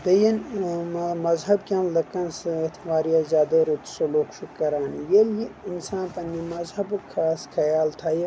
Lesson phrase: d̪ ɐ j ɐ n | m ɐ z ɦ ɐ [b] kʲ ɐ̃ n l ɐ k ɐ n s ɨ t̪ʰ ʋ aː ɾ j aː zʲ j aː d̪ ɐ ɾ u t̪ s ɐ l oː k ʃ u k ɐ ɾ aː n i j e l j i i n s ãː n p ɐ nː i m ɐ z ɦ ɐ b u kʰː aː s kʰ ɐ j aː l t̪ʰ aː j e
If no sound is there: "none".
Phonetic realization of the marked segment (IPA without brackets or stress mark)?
b